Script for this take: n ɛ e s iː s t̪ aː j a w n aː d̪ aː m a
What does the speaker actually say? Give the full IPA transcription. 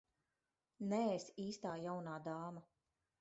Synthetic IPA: n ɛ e s iː s t̪ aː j a w n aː d̪ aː m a